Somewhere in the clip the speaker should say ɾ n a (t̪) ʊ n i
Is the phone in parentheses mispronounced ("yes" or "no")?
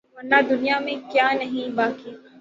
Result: yes